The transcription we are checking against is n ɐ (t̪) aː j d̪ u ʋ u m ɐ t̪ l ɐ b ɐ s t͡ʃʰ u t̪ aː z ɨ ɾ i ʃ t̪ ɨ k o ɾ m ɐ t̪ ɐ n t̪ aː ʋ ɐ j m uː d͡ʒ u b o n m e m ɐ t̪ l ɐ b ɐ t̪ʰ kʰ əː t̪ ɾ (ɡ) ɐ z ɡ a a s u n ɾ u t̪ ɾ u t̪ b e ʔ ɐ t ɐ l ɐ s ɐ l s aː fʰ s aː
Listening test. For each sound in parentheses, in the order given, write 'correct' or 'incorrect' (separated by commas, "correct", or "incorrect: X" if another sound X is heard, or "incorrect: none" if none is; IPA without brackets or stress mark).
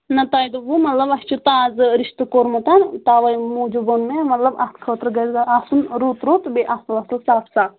correct, correct